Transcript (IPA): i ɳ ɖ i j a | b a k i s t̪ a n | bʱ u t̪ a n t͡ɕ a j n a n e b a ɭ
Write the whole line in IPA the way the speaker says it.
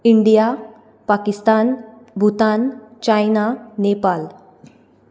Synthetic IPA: i ɳ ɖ i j a | p a k i s t̪ a n | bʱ u t̪ a n t͡ɕ a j n a n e p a l